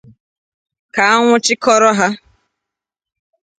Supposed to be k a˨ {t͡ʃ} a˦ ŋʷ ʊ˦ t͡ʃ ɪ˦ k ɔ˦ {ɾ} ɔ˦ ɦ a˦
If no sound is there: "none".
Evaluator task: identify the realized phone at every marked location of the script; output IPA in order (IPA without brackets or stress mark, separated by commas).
none, ɾ